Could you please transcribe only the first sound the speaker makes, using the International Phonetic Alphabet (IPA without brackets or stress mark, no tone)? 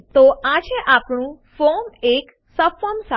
t̪